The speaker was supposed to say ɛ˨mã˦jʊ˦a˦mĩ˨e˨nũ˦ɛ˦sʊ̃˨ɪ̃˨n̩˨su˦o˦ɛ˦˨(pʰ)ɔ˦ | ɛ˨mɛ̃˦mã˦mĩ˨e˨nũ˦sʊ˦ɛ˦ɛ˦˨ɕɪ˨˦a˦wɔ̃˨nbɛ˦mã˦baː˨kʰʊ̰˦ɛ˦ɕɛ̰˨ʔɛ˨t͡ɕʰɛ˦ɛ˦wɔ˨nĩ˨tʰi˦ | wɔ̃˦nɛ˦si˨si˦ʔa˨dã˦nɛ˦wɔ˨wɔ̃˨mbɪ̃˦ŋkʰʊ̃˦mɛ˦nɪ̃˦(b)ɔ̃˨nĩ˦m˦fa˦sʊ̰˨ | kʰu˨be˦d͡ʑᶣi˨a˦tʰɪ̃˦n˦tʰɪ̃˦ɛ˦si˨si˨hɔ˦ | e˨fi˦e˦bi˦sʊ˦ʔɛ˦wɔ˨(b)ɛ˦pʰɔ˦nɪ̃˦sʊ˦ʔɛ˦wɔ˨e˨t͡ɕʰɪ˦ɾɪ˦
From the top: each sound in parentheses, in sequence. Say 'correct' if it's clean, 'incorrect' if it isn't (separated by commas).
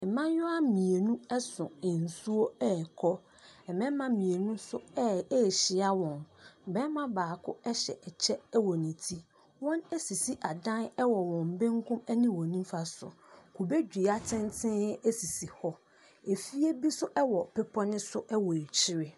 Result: incorrect, incorrect, incorrect